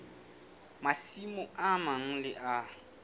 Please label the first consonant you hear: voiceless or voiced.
voiced